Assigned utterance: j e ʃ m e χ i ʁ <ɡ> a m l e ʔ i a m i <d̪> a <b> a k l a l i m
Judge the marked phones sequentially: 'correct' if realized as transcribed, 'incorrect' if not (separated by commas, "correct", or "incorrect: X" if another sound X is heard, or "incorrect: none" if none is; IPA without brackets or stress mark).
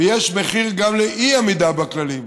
correct, correct, correct